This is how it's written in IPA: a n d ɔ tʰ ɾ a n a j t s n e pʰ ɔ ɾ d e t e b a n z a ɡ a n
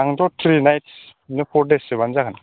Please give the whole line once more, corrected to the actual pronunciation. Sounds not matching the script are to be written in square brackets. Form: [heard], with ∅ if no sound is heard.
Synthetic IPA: a [ŋ] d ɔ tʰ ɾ [i] n a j t s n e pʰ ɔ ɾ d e [s] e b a n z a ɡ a n